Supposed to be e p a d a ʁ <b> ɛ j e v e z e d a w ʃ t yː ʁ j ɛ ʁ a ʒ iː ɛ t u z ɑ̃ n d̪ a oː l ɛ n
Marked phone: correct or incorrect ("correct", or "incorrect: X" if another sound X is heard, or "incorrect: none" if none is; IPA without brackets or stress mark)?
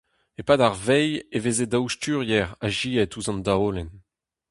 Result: incorrect: v